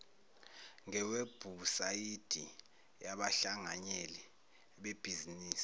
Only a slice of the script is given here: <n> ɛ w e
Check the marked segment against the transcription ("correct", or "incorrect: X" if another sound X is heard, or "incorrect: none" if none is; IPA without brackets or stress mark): incorrect: ŋ